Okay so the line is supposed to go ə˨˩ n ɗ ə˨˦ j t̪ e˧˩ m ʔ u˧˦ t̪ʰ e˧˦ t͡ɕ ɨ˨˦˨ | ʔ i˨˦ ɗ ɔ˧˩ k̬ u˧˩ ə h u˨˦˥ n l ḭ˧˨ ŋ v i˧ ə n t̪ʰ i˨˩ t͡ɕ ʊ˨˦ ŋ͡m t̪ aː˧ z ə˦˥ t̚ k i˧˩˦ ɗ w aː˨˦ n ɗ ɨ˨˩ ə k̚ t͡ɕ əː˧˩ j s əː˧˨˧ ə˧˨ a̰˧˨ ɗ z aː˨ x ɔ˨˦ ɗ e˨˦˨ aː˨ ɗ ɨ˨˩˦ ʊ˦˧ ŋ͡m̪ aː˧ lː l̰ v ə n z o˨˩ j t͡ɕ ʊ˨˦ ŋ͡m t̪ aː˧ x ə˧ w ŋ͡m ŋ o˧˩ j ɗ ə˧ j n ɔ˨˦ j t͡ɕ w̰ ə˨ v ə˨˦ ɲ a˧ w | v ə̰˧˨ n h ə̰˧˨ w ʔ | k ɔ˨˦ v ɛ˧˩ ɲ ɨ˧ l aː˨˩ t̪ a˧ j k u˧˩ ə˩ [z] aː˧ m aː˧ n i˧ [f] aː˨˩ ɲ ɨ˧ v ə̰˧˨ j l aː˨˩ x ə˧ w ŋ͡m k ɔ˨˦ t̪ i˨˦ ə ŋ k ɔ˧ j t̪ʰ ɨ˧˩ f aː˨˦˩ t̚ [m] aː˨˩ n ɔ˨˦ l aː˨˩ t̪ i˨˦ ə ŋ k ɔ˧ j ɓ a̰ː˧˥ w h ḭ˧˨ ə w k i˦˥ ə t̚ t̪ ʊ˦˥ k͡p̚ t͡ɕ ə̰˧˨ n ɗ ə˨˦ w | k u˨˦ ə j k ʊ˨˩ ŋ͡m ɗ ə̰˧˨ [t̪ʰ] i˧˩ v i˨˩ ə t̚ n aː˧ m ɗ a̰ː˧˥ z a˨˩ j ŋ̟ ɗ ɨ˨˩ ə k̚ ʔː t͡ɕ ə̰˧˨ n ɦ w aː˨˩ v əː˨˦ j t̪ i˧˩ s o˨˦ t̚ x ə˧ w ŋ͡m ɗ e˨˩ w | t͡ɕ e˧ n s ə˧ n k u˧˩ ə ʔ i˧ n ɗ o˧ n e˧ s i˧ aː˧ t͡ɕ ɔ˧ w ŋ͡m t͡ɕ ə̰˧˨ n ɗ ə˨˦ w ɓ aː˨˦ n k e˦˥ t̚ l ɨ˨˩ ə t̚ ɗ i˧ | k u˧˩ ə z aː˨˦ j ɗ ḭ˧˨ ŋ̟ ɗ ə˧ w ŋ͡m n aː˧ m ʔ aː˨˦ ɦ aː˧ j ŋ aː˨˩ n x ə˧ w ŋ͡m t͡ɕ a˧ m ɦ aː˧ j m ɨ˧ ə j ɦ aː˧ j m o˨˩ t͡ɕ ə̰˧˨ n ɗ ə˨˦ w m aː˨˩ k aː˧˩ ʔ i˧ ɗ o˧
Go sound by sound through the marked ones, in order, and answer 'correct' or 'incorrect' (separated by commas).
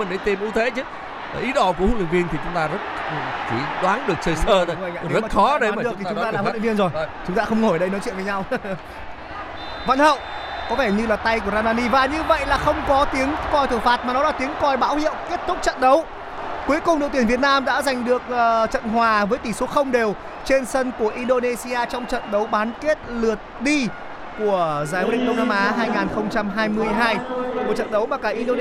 correct, incorrect, correct, incorrect